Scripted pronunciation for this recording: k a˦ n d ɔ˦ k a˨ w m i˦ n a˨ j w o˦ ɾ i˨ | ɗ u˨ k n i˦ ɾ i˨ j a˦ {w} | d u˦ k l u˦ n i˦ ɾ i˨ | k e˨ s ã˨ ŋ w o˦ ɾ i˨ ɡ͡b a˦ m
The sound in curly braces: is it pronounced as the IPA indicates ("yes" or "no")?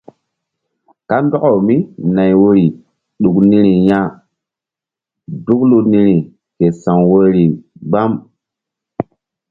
no